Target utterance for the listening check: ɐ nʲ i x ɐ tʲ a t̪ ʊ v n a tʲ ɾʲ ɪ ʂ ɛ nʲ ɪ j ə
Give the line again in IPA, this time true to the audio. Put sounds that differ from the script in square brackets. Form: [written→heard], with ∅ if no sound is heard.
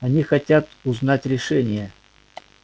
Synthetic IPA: ɐ nʲ i x ɐ tʲ a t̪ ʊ [v→z] n a tʲ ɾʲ ɪ ʂ ɛ nʲ ɪ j ə